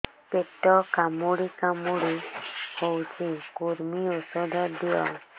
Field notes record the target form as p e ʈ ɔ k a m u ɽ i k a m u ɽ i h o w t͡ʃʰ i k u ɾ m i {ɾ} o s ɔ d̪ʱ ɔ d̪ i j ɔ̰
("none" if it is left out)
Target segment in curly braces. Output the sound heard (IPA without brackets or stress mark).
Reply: none